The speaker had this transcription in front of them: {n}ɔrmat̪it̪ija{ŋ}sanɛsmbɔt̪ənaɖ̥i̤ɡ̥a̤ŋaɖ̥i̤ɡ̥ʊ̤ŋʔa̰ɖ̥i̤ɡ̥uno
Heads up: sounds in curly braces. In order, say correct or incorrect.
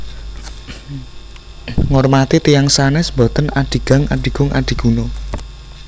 incorrect: ŋ, correct

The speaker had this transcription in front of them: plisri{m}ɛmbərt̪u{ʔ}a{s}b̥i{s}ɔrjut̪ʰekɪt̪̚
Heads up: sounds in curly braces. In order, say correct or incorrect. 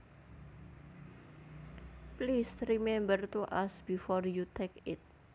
correct, correct, correct, incorrect: f

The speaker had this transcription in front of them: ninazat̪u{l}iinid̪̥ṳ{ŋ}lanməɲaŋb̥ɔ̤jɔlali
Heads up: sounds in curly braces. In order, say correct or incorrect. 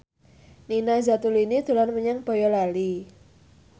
correct, incorrect: none

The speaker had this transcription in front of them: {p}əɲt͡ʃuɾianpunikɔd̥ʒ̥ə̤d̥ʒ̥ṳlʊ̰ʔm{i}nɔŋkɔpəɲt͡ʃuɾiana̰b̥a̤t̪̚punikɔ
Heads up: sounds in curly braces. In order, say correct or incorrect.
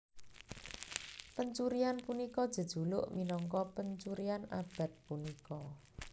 correct, correct

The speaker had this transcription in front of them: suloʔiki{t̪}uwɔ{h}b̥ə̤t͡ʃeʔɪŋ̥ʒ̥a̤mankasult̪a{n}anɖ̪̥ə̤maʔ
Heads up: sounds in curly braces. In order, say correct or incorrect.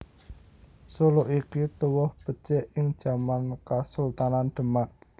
correct, correct, correct

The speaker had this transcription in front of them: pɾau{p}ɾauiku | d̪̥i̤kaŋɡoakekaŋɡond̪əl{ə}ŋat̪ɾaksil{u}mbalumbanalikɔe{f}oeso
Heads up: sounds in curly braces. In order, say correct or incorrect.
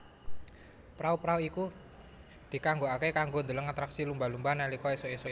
correct, correct, correct, incorrect: s

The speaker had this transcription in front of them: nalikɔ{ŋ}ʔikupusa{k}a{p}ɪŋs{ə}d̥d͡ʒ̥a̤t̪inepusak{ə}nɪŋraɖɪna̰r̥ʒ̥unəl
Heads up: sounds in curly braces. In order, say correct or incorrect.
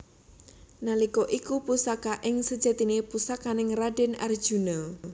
incorrect: none, correct, incorrect: ʔ, correct, incorrect: a

